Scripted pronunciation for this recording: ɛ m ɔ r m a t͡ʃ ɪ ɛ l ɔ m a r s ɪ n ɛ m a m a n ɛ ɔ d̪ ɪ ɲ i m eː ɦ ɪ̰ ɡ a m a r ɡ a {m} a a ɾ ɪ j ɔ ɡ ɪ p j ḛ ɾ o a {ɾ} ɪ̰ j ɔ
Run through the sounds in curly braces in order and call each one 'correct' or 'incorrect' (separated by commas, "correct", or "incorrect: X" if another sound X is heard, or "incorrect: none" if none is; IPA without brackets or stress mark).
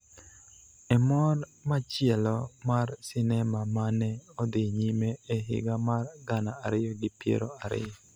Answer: incorrect: n, correct